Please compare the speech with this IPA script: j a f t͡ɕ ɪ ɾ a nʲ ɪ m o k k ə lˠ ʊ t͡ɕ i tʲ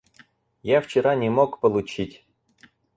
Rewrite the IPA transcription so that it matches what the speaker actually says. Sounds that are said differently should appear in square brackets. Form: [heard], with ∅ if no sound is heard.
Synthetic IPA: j a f t͡ɕ ɪ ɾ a nʲ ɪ m o k [p] ə lˠ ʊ t͡ɕ i tʲ